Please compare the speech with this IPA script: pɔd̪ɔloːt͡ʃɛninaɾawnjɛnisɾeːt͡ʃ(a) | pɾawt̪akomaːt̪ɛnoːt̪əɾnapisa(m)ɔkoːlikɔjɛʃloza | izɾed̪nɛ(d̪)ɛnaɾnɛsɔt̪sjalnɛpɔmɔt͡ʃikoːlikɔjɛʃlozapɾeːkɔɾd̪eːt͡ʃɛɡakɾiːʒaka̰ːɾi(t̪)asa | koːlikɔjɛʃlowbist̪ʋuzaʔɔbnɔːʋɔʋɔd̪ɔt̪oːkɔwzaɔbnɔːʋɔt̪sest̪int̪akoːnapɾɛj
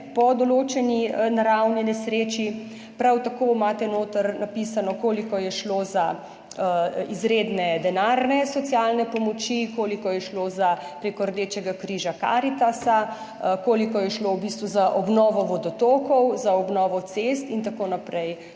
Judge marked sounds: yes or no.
no, no, yes, yes

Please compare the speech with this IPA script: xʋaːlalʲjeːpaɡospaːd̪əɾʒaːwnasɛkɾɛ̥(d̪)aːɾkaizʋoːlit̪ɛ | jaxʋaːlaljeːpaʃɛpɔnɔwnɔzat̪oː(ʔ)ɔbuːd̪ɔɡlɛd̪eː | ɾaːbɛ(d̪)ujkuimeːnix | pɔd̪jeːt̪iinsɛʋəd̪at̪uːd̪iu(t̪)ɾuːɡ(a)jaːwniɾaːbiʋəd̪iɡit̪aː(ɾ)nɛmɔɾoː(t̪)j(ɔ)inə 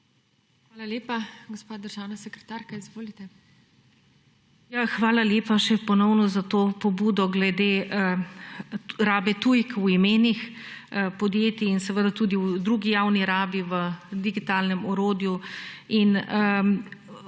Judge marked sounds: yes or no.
no, no, no, no, no, no, no, no

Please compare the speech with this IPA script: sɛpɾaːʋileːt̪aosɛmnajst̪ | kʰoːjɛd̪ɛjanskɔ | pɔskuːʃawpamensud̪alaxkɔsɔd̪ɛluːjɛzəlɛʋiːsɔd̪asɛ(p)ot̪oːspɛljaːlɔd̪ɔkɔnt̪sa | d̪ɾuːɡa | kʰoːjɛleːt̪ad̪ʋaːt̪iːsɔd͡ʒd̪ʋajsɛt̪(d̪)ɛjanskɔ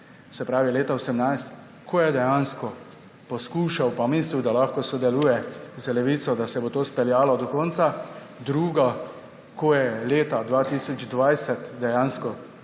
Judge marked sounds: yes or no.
no, yes

